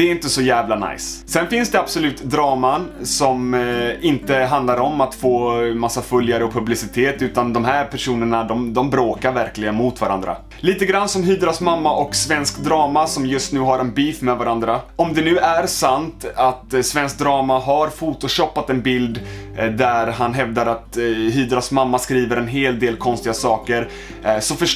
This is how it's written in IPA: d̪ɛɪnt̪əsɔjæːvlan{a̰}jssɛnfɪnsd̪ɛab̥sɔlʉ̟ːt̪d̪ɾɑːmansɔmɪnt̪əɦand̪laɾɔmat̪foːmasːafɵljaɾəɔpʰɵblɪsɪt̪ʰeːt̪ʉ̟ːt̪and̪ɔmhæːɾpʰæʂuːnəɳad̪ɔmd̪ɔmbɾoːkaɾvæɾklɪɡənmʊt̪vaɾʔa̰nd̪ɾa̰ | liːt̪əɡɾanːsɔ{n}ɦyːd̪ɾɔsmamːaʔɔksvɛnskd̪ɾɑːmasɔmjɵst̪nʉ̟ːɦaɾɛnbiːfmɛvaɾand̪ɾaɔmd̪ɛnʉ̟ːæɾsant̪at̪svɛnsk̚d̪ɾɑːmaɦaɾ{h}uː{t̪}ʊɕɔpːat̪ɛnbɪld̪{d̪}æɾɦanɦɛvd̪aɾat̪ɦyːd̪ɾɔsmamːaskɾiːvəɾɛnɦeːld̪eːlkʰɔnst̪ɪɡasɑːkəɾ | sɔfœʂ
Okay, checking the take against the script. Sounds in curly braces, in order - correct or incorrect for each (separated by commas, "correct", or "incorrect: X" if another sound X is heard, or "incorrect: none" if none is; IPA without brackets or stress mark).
correct, incorrect: m, incorrect: f, correct, correct